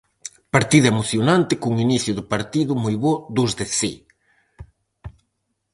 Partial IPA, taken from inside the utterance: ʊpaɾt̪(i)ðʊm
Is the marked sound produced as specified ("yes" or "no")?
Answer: yes